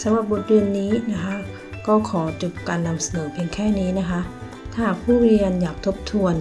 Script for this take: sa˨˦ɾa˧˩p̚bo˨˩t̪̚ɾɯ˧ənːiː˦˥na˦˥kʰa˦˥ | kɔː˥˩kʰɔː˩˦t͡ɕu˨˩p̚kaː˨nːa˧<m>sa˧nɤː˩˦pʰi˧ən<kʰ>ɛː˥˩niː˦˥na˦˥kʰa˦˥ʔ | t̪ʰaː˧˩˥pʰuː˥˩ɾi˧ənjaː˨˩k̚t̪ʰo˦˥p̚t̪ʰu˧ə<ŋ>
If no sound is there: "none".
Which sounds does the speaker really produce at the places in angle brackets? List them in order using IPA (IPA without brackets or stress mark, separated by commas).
m, kʰ, n